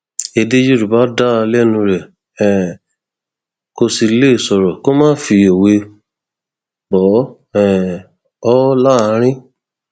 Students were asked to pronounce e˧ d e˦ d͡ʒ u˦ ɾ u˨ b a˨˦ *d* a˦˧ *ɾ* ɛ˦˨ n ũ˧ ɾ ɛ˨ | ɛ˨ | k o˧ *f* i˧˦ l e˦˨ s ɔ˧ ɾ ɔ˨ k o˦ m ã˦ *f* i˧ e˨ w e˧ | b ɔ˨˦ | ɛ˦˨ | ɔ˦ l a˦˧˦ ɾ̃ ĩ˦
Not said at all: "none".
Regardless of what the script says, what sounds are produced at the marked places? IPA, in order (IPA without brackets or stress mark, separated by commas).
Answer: d, l, s, f